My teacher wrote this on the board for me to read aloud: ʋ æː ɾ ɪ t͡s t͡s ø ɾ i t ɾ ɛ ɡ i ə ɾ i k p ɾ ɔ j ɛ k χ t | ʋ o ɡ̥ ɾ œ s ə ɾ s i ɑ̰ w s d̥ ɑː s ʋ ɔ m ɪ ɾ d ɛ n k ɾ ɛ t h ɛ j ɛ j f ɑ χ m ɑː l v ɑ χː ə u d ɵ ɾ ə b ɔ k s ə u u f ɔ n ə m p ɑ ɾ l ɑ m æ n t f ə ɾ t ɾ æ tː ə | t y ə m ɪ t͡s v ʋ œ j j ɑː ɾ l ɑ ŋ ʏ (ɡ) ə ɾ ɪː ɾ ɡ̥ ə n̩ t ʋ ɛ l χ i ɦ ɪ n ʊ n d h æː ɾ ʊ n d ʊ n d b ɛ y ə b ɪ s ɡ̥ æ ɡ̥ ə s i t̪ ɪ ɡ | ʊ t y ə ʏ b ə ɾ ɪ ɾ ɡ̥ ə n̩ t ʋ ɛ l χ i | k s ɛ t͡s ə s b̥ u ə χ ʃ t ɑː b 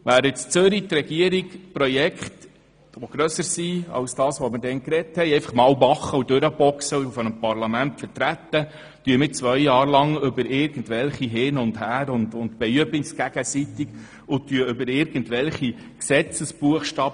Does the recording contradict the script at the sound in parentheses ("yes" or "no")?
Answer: yes